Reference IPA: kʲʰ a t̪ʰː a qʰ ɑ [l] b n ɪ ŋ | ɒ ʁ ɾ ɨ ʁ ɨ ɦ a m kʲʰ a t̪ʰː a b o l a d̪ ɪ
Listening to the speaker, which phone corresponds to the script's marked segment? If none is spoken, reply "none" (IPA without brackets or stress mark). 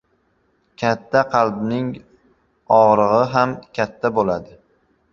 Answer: l